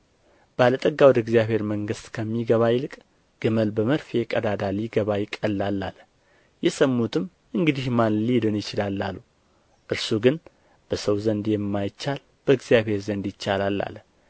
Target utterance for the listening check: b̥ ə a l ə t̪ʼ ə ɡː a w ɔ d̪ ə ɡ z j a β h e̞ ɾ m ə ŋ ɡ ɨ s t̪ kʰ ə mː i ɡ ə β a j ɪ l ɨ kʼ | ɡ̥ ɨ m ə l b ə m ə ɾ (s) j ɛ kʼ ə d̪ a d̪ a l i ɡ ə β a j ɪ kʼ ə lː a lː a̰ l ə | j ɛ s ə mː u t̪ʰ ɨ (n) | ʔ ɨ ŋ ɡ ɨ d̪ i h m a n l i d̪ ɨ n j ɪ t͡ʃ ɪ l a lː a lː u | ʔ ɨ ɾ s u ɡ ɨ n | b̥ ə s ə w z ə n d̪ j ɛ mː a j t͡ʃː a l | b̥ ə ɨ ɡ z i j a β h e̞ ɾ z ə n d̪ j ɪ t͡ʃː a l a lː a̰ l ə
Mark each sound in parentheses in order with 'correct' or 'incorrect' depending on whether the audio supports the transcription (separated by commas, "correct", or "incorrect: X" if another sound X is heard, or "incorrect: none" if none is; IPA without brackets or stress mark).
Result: incorrect: f, incorrect: m